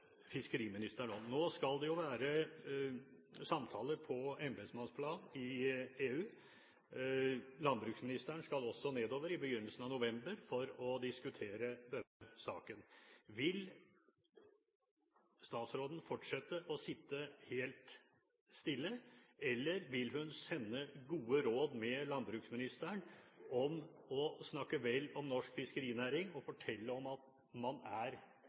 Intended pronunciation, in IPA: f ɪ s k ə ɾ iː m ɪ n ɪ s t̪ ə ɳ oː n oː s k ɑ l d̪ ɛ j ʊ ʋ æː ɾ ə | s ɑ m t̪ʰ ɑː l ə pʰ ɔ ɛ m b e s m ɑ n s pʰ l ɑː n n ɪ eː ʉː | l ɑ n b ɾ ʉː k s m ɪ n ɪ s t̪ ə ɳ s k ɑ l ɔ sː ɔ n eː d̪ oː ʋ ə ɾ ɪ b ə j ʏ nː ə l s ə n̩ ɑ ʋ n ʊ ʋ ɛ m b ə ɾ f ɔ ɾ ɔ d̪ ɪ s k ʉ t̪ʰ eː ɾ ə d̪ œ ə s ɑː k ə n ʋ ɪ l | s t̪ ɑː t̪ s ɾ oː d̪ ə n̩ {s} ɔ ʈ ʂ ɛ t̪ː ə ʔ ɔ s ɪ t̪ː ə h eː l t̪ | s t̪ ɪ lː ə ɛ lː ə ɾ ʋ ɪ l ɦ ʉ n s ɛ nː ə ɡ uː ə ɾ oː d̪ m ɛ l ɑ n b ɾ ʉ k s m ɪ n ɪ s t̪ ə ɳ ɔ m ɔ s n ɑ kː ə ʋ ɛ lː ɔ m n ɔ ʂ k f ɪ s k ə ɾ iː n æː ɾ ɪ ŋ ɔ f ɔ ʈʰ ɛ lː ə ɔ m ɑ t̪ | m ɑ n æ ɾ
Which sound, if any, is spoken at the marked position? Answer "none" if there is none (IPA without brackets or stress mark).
f